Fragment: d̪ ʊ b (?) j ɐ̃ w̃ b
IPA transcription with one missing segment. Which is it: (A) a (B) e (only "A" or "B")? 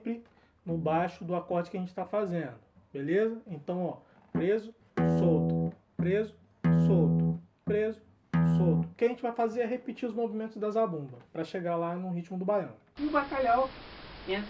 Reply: A